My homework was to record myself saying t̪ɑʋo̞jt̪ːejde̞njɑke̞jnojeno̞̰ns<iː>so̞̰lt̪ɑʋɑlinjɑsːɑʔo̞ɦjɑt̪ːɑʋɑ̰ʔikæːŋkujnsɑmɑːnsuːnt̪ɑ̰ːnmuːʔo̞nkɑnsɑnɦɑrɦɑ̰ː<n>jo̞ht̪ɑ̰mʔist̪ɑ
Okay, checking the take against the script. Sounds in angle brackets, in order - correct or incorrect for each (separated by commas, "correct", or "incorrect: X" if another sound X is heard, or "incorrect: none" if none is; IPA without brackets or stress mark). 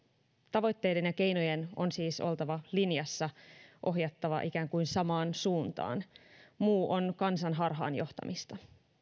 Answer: correct, correct